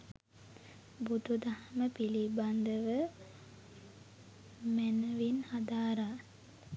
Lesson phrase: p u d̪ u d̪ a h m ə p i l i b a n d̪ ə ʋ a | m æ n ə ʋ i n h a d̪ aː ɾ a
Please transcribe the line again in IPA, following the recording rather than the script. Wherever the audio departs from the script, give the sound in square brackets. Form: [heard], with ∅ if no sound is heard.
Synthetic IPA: [b] u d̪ u d̪ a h m ə p i l i b a n d̪ ə ʋ [ə] | m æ n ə ʋ i n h a d̪ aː ɾ a